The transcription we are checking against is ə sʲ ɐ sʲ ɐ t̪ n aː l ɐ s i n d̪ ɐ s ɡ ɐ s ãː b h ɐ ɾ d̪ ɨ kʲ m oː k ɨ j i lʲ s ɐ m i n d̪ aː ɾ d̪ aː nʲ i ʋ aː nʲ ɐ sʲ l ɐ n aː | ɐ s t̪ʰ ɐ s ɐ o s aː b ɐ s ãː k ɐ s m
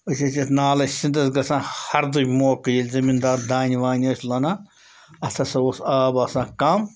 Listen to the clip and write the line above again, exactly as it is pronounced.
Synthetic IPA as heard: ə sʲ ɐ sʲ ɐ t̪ n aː l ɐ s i n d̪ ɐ s ɡ ɐ s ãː h ɐ ɾ d̪ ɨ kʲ m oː k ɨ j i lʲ z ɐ m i n d̪ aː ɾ d̪ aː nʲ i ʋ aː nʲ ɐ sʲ l ɐ n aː | ɐ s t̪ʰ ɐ s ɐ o s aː b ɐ s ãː k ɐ m